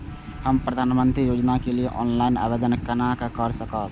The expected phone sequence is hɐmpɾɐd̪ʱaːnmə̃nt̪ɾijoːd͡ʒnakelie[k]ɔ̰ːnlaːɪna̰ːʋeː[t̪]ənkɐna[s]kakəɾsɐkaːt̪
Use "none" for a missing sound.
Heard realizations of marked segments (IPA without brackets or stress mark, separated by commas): ʔ, d̪, none